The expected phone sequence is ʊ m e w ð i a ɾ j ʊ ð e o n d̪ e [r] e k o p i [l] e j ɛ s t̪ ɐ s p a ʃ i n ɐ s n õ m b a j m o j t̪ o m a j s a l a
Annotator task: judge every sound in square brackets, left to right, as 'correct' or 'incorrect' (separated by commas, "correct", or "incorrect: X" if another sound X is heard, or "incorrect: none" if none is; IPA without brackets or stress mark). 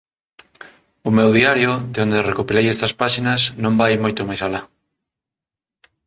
correct, correct